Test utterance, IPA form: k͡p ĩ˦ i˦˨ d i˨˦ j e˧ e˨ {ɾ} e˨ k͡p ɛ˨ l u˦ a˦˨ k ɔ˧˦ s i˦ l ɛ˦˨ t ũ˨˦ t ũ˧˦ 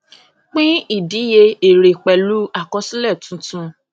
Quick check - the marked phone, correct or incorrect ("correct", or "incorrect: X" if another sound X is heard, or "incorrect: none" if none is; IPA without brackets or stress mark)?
correct